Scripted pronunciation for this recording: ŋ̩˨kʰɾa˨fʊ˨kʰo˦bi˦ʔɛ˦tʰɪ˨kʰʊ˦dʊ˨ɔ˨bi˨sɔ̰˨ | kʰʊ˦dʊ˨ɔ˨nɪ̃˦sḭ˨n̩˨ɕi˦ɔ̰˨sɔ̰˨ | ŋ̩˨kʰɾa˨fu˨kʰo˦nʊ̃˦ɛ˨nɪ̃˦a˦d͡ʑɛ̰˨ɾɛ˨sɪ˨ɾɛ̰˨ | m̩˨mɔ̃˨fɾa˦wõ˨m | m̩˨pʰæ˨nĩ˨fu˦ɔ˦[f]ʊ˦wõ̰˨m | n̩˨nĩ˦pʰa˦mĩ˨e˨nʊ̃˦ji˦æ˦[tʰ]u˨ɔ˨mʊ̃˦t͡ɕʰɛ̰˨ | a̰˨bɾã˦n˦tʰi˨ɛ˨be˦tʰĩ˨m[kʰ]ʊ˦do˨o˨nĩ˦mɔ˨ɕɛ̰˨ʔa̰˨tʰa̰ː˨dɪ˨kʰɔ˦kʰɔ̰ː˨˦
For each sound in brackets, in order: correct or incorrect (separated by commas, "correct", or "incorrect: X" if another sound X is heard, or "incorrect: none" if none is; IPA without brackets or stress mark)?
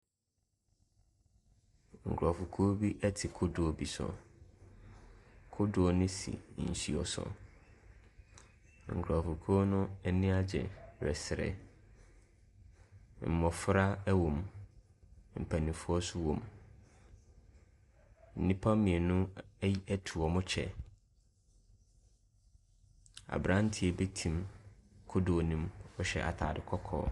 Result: incorrect: s, correct, correct